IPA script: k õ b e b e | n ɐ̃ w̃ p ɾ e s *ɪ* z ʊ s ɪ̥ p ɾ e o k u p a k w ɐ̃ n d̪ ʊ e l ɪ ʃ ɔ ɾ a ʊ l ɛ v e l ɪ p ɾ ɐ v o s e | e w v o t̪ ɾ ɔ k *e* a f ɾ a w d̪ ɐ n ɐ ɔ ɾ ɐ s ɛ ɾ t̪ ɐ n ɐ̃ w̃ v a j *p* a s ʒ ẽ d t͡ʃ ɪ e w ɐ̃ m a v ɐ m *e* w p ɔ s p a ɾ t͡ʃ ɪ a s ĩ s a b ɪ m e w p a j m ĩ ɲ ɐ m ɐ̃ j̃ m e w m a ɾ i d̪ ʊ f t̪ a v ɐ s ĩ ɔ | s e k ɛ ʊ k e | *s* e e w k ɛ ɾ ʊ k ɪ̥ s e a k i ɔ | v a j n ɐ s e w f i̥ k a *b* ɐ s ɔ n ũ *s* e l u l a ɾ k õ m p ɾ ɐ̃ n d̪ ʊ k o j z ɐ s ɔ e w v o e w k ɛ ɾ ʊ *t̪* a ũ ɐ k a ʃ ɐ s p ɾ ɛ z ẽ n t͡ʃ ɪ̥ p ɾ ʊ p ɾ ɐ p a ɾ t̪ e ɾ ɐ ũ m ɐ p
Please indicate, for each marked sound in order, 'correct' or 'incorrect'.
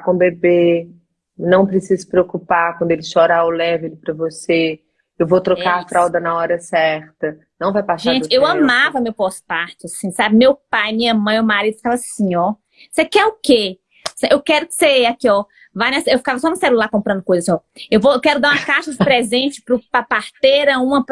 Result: incorrect: i, incorrect: a, correct, correct, correct, incorrect: v, correct, incorrect: d̪

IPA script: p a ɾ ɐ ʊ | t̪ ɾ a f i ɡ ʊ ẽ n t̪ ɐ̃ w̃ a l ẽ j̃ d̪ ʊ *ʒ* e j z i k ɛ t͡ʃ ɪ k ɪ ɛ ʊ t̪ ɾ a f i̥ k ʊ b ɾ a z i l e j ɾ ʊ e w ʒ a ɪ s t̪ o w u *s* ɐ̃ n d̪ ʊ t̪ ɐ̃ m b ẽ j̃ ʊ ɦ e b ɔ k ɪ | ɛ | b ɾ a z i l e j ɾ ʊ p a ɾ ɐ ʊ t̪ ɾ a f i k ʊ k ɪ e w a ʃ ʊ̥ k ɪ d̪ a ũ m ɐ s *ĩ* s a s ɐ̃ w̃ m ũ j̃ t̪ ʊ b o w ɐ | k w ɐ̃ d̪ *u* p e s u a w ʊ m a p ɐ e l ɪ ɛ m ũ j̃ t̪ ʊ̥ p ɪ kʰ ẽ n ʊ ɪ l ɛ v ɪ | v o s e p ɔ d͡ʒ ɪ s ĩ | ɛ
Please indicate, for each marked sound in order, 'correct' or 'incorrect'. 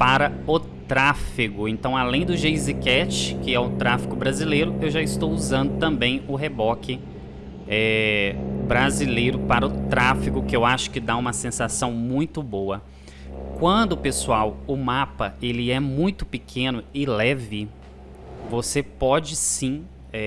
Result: correct, incorrect: z, incorrect: ẽ, incorrect: ʊ

